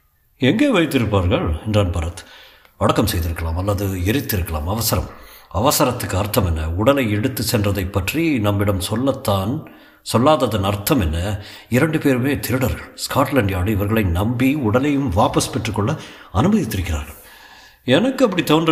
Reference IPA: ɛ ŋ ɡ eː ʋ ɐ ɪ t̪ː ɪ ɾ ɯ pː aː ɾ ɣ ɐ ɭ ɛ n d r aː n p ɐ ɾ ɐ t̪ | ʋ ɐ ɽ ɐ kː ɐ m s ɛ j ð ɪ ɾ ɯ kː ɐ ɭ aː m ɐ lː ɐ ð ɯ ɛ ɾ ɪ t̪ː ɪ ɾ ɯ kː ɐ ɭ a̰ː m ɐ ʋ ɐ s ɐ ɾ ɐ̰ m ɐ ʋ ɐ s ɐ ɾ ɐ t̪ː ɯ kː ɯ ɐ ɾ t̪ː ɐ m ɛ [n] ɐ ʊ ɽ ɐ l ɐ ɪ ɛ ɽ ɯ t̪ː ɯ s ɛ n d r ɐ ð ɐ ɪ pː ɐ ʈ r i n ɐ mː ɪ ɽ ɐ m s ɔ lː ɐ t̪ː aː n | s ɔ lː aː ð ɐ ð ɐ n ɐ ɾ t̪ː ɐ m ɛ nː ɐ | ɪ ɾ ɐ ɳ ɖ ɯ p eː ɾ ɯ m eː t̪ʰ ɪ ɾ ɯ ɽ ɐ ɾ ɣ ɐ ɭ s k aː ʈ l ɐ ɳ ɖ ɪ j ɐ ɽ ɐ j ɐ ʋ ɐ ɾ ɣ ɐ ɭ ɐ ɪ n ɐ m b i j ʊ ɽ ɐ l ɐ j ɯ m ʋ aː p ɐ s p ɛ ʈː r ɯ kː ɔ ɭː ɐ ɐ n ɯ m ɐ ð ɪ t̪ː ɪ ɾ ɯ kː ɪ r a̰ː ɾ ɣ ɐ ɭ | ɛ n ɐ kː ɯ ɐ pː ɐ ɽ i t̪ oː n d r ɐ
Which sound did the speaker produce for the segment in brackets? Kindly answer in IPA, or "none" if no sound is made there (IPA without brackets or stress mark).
nː